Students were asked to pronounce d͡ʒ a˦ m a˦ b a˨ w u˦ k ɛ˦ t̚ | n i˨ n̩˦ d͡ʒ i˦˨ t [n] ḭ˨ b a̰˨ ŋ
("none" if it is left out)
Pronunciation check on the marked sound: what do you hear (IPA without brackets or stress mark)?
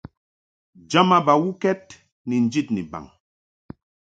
n